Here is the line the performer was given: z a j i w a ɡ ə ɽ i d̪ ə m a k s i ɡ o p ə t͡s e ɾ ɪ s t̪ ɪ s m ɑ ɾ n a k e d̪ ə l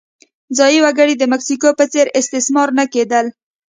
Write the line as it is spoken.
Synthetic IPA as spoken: z ɑ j i w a ɡ ə ɽ i d̪ ə m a k s i k o p ə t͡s e ɾ ɪ s t̪ ɪ s m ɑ ɾ n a k e d̪ ə l